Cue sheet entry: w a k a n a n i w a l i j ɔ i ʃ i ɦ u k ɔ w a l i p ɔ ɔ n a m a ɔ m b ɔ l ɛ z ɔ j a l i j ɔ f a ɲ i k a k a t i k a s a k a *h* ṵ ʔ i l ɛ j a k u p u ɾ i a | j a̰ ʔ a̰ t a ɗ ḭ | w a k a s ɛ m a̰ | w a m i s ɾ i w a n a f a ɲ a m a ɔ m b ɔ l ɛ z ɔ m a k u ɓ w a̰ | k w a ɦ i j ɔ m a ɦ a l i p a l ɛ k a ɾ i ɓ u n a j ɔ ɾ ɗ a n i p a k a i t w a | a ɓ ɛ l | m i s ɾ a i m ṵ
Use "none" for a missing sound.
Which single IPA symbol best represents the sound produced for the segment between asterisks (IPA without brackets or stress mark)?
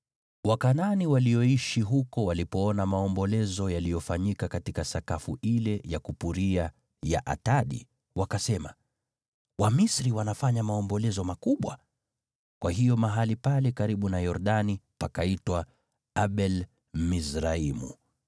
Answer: f